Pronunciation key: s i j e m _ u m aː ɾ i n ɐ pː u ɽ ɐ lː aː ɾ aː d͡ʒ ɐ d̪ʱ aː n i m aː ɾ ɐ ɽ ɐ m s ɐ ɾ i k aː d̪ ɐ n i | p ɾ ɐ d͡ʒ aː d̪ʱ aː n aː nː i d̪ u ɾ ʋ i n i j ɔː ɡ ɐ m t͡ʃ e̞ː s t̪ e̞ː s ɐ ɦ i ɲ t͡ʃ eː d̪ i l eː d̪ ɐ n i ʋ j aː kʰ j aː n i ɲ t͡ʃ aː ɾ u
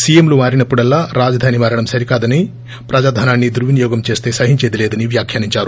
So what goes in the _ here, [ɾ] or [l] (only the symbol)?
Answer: l